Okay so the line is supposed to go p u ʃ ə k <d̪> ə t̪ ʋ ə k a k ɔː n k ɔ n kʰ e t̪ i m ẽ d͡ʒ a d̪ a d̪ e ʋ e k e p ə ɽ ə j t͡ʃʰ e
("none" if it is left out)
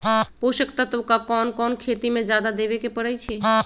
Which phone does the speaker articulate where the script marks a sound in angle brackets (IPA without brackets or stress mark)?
t̪